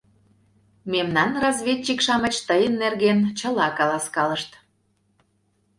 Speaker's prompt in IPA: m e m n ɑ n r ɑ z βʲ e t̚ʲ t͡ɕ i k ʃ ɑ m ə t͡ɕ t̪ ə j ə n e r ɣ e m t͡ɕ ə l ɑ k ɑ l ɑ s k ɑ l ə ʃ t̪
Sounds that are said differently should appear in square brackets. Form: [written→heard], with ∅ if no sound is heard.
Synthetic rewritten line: m e m n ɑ n r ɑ z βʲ e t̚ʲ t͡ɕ i k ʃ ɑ m ə t͡ɕ t̪ ə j ə [n→nː] e r ɣ e [m→n] t͡ɕ ə l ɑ k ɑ l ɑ s k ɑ l ə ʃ t̪